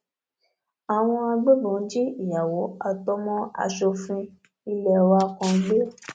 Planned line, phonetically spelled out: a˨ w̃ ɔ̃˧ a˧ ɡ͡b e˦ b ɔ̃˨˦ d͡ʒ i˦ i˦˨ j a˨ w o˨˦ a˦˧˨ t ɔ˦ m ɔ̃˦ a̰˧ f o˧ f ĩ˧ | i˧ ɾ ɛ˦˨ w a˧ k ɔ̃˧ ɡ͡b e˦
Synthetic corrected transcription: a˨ w̃ ɔ̃˧ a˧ ɡ͡b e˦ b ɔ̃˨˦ d͡ʒ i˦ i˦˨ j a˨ w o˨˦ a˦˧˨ t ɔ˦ m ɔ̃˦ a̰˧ ʃ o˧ f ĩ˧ | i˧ l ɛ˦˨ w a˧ k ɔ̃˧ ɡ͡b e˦